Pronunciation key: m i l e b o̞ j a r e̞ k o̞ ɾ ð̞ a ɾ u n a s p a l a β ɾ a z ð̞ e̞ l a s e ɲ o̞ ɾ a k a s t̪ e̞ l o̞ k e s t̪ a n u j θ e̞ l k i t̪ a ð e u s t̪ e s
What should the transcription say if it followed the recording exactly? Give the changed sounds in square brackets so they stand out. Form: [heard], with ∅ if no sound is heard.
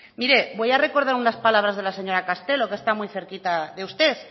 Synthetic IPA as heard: m i [ɾ] e b o̞ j a r e̞ k o̞ ɾ ð̞ a ɾ u n a s p a l a β ɾ a z ð̞ e̞ l a s e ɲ o̞ ɾ a k a s t̪ e̞ l o̞ k e s t̪ a [m] u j θ e̞ [ɾ] k i t̪ a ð e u s t̪ e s